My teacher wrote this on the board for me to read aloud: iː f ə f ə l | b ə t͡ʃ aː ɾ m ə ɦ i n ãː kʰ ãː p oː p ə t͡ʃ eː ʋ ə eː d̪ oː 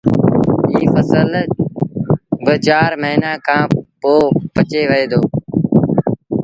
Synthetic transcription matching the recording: iː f ə s ə l | b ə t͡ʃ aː ɾ m ə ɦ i n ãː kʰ ãː p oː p ə t͡ʃ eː ʋ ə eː d̪ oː